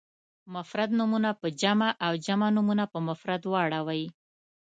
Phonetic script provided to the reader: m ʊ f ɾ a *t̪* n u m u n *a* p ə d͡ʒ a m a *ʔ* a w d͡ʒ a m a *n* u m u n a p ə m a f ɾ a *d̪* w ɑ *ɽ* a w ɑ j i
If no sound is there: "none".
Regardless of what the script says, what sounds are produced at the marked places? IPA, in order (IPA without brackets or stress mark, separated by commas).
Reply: d̪, a, ʔ, n, d̪, ɽ